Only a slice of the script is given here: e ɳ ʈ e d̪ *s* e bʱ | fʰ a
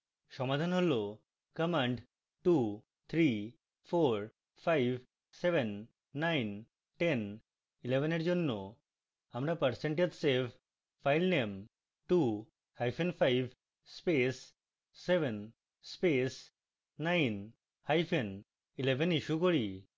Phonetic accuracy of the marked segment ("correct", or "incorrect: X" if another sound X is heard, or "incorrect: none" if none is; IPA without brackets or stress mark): correct